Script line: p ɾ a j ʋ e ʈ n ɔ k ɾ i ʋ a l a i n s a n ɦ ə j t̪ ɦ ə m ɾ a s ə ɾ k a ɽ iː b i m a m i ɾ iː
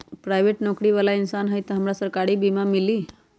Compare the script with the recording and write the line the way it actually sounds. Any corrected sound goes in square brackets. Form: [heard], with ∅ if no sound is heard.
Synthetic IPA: p ɾ a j ʋ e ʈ n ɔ k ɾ i ʋ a l a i n s a n ɦ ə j t̪ ɦ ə m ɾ a s ə ɾ k a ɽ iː b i m a m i [l] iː